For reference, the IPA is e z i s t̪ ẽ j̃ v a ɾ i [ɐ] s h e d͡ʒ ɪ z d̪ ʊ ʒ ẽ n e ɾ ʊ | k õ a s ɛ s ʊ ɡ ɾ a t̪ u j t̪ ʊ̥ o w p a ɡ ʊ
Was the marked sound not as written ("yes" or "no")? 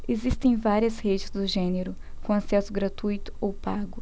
no